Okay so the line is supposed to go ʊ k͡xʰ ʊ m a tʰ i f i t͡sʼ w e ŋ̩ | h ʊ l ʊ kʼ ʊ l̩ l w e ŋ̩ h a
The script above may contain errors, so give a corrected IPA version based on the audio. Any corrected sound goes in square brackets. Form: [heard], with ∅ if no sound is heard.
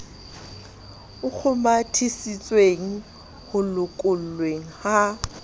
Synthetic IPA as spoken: ʊ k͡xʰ ʊ m a tʰ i [s] i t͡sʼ w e ŋ̩ | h ʊ l ʊ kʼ ʊ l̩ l w e ŋ̩ h a